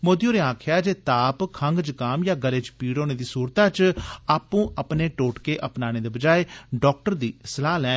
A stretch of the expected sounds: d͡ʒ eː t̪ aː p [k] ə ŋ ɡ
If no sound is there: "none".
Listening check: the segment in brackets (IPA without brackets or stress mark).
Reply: kʰ